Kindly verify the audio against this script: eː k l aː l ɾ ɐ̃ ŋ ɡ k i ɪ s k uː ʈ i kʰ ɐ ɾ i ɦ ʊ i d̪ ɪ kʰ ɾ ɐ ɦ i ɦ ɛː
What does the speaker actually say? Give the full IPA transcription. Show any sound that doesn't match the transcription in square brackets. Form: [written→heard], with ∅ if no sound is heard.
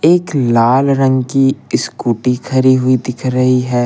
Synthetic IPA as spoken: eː k l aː l ɾ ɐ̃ ŋ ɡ k i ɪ s k uː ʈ i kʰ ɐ ɾ i ɦ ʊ i d̪ ɪ kʰ ɾ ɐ ɦ i ɦ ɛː